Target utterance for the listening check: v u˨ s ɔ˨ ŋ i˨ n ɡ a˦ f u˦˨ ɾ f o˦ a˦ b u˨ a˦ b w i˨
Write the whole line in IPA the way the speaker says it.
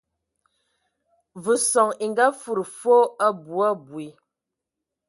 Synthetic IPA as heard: v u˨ s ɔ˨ ŋ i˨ ŋ ɡ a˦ f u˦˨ ɾ f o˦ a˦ b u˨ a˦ b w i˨